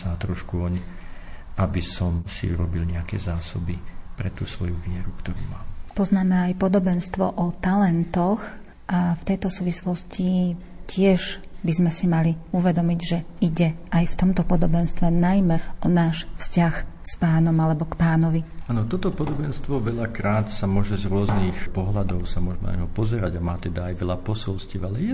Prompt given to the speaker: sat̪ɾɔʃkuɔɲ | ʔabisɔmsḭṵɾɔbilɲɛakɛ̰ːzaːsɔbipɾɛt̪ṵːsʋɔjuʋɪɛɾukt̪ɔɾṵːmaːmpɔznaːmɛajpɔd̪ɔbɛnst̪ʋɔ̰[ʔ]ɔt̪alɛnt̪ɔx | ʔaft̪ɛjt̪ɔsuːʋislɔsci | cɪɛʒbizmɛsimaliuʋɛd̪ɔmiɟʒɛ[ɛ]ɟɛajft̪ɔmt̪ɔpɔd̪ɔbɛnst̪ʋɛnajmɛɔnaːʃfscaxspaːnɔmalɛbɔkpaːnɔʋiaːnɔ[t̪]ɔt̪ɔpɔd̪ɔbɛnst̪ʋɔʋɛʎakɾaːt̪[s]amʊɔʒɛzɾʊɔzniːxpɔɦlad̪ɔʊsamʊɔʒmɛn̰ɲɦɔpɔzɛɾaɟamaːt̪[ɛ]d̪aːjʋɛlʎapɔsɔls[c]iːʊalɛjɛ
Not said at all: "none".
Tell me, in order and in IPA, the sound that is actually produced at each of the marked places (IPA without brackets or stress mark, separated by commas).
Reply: ʔ, i, t̪, s, ɛ, c